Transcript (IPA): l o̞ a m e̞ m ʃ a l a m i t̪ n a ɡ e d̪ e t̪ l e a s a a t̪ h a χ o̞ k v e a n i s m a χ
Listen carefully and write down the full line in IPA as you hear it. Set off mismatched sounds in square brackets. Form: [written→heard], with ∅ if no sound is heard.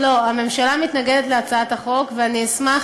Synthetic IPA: l o̞ a m e̞ m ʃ a l a m i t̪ n a ɡ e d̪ e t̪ l e a [s→t͡s] a a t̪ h a χ o̞ k v e a n i s m a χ

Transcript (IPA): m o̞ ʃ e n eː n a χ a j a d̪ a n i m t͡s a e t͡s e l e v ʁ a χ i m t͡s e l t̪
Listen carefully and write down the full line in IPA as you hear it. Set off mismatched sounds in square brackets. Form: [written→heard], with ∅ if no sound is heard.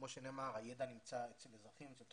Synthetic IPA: m o̞ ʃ e n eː [n→m] a [χ→ʁ] a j [a→e] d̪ a n i m t͡s a e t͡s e l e [v→z] ʁ a χ i m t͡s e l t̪

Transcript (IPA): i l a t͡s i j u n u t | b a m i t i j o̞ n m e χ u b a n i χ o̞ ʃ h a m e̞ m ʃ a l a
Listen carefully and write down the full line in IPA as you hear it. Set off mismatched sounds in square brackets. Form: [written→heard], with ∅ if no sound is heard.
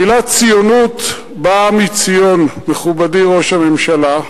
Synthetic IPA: i l a t͡s i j [u→o] n u t | b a m i [t→t͡s] i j o̞ n m e χ u b a [n→d] i [χ→ʁ] o̞ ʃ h a m e̞ m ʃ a l a

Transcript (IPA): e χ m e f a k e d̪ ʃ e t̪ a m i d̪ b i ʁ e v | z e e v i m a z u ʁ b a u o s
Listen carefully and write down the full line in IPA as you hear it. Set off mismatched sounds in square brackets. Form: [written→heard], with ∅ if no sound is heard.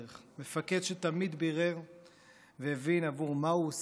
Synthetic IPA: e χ m e f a k e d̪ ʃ e t̪ a m i d̪ b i ʁ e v | [z→v] e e v i [m→n] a [z→v] u ʁ [b→m] a u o s

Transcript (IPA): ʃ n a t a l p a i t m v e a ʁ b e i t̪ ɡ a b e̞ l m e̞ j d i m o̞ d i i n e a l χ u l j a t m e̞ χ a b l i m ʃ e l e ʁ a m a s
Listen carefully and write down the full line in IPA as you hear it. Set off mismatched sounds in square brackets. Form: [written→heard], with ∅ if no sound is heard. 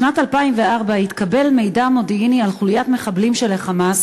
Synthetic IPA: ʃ n a t a l p a i [t→∅] m v e a ʁ b [e→a] i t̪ [ɡ→k] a b e̞ l m e̞ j d [i→a] m o̞ d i i n [e→i] a l χ u l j a t m e̞ χ a b l i m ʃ e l e [ʁ→χ] a m a s

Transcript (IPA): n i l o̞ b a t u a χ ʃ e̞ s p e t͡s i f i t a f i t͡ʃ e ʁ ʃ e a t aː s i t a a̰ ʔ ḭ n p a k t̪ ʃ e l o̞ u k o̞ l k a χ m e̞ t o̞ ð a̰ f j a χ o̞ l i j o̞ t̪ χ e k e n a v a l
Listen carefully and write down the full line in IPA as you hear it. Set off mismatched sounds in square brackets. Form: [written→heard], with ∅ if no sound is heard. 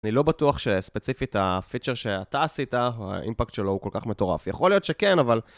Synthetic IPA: n i l o̞ b a t u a χ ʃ e̞ s p e t͡s i f i t a f i t͡ʃ e ʁ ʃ e a t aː s i t a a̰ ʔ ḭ [n→m] p a k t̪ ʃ e l o̞ u k o̞ l k a χ m e̞ t o̞ [ð→ʁ] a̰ f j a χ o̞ l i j o̞ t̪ [χ→ʃ] e k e n a v a l

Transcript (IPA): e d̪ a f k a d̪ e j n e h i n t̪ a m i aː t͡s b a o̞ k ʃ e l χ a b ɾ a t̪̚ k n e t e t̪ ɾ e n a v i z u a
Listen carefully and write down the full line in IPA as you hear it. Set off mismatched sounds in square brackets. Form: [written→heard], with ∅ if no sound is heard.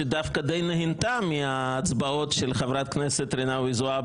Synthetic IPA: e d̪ a f k a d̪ e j n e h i n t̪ a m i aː t͡s b a o̞ [k→t] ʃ e l χ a [b→v] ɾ a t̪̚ k n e [t→s] e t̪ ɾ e n a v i z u a

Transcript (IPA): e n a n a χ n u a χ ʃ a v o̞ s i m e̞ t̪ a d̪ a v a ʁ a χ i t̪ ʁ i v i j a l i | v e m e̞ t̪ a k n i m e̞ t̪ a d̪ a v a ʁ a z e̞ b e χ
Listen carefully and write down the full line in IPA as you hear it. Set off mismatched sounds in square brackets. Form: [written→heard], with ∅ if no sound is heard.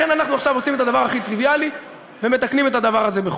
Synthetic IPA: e n a n a χ n u a χ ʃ a v o̞ s i m e̞ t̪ a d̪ a v a ʁ a χ i t̪ ʁ i v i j a l i | v e m e̞ t̪ a k n i m e̞ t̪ a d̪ a v a ʁ a z e̞ b e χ

